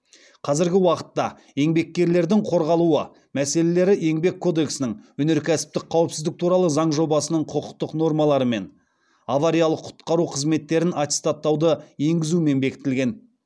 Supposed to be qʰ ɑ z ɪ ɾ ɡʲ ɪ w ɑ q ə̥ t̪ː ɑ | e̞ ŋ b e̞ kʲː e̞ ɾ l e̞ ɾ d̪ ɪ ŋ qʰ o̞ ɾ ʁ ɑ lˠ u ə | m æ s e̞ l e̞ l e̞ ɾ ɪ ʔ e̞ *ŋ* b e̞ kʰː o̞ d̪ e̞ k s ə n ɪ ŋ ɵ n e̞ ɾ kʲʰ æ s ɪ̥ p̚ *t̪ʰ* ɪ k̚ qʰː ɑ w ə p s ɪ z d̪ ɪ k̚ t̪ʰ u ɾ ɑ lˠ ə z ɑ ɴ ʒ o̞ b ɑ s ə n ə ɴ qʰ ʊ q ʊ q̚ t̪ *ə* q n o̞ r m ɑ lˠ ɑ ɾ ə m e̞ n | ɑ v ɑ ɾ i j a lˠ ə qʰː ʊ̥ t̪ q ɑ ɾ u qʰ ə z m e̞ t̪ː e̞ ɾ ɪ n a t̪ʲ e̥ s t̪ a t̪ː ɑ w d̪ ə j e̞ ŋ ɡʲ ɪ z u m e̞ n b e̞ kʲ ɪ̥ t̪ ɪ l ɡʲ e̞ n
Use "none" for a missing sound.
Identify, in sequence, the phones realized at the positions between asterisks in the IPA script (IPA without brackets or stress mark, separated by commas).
ŋ, t̪, ə